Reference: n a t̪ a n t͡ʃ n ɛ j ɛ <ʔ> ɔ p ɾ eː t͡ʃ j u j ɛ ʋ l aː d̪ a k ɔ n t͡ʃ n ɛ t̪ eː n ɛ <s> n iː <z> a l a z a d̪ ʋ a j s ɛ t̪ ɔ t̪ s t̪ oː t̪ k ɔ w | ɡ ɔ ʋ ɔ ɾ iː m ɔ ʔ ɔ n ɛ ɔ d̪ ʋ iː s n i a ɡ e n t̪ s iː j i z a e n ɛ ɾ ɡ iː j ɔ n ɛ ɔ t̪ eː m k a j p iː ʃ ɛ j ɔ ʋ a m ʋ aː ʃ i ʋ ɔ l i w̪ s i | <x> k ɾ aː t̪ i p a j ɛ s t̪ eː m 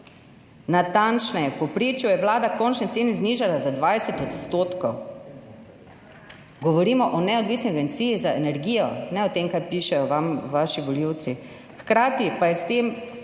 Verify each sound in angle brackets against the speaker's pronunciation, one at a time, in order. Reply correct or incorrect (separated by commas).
incorrect, incorrect, incorrect, correct